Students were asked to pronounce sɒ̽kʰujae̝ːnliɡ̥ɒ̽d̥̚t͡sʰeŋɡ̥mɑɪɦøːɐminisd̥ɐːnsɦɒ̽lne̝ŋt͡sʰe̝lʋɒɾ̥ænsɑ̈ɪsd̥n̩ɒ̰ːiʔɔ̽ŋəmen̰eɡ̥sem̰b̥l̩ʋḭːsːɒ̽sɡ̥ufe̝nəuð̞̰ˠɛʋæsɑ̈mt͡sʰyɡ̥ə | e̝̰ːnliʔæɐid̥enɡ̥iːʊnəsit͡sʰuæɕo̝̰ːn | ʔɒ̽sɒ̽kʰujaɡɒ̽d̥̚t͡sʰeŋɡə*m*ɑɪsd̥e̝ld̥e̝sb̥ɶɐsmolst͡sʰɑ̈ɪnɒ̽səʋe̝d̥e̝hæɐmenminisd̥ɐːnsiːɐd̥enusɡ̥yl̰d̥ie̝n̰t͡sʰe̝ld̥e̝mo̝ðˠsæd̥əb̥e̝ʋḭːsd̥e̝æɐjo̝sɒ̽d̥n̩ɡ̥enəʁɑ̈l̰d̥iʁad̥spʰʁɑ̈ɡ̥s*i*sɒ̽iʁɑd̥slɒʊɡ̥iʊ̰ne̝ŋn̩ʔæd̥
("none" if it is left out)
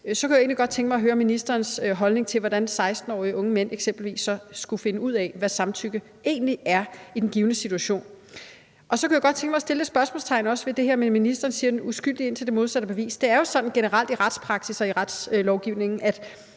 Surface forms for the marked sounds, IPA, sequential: m, i

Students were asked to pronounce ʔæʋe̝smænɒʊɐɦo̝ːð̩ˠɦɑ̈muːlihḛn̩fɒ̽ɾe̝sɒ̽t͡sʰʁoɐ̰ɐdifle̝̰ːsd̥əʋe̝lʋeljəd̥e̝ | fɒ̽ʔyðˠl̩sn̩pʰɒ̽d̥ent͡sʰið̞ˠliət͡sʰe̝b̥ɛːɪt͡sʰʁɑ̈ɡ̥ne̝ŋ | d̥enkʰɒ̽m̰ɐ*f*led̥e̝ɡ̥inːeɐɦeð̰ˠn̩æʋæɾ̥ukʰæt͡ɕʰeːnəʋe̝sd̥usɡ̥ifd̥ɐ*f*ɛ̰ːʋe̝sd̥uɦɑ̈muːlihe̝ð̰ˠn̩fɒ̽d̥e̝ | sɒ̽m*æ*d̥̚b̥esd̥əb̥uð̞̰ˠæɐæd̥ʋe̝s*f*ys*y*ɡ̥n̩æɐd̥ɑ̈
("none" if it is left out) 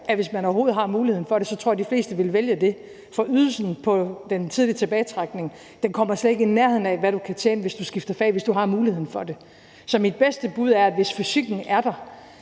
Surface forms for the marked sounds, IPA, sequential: s, f, i, f, i

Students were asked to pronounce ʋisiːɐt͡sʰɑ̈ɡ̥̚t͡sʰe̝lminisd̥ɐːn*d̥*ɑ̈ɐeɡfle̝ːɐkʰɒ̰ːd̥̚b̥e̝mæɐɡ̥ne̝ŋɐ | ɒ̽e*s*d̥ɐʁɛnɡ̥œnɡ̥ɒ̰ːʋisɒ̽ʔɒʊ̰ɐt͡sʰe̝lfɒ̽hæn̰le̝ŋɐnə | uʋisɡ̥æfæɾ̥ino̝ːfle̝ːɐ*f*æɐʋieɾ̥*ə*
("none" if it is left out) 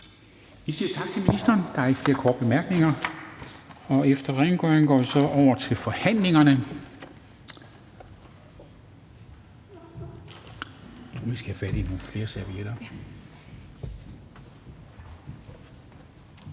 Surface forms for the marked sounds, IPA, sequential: d̥, f, s, ɐ

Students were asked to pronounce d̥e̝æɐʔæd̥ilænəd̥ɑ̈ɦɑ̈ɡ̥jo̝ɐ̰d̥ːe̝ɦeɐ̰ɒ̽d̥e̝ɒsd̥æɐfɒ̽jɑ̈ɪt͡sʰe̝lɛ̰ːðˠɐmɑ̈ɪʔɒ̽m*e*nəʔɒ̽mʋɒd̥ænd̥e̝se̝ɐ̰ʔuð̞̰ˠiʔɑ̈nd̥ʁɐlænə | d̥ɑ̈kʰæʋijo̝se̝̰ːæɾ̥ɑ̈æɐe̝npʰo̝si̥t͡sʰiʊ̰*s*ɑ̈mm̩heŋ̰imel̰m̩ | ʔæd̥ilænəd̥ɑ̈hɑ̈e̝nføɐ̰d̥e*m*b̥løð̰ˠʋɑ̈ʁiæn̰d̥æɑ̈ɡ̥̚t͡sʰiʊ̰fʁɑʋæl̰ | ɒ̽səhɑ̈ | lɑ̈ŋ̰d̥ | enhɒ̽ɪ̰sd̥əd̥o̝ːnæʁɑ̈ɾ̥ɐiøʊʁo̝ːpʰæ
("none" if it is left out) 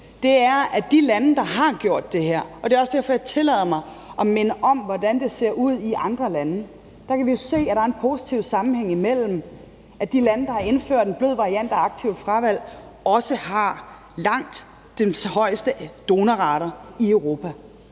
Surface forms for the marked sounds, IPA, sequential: e, s, n

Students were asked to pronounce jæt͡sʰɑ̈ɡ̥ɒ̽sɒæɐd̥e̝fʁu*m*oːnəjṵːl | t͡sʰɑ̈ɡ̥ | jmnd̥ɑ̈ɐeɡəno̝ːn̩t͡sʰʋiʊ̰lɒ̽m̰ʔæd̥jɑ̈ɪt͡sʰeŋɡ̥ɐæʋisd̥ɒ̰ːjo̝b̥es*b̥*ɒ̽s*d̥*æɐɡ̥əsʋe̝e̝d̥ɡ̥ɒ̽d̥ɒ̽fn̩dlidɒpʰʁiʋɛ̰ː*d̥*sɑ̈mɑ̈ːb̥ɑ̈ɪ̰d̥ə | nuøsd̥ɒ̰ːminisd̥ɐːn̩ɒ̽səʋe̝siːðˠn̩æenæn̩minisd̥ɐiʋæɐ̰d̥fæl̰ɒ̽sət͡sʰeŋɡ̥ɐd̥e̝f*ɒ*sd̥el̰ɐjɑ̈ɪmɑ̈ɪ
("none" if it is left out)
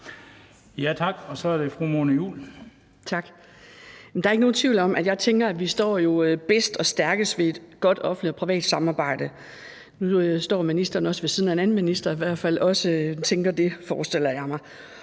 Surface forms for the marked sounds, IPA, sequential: m, d̥, d̥, d̥, ɒː

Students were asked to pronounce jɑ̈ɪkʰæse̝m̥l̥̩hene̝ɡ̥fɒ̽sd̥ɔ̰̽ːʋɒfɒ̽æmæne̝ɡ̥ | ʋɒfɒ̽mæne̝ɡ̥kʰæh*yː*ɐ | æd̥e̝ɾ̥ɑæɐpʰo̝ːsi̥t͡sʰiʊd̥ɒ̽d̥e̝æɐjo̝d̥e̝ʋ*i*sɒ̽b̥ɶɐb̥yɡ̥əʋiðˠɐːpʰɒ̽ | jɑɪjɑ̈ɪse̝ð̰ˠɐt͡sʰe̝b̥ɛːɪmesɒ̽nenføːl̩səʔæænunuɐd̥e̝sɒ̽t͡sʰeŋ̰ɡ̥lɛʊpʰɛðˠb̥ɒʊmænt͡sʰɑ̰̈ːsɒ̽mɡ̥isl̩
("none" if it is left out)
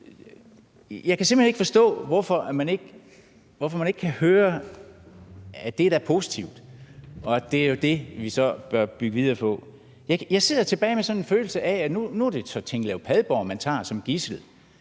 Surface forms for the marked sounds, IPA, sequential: øː, i

